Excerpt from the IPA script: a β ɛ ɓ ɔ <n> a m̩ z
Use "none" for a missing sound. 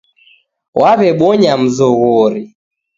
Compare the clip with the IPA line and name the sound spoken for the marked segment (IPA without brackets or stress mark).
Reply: ɲ